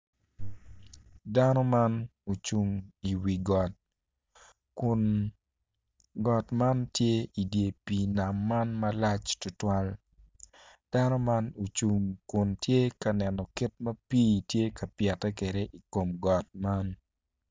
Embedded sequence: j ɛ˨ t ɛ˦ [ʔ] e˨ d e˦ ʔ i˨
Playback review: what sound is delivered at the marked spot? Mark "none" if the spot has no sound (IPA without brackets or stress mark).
k